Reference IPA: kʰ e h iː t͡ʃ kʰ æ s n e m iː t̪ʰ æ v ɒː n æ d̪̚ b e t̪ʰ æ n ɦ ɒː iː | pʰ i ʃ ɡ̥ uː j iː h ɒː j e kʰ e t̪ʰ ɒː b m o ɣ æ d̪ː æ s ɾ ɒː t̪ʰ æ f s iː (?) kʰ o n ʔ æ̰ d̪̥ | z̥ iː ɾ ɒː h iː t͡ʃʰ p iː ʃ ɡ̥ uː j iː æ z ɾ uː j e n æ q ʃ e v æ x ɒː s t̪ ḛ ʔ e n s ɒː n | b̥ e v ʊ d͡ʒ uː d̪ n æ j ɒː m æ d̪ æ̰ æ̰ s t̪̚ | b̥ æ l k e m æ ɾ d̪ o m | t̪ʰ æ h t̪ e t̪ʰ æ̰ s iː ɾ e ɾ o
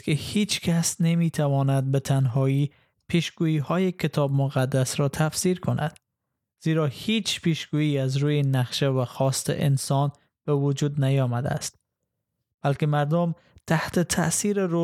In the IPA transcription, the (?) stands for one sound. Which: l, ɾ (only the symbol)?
ɾ